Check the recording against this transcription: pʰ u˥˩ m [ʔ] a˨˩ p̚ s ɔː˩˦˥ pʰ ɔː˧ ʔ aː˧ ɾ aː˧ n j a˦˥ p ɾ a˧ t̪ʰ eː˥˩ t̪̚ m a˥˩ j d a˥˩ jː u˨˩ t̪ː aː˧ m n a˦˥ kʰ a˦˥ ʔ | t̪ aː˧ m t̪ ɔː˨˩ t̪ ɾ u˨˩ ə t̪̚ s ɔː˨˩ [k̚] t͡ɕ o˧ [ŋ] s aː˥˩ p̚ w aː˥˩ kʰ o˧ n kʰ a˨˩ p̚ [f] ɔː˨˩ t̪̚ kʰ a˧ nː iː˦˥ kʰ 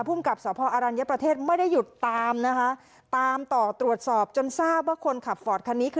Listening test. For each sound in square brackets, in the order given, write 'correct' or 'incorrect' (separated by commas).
incorrect, incorrect, incorrect, correct